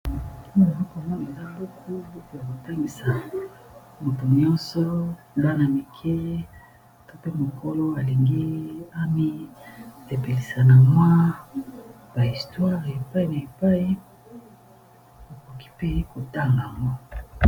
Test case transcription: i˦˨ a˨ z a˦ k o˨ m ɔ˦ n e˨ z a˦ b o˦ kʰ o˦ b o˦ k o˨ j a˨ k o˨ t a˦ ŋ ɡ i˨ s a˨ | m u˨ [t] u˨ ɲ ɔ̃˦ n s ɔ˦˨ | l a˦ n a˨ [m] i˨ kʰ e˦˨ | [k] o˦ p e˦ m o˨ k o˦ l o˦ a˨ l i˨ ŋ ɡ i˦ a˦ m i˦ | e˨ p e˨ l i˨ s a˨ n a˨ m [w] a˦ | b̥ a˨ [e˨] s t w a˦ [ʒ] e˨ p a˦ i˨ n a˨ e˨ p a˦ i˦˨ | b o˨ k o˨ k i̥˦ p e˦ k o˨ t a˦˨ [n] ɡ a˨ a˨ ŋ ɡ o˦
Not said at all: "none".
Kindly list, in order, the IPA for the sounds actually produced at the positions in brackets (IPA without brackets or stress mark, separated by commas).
t, m, t, w, i˨, ʁ, ŋ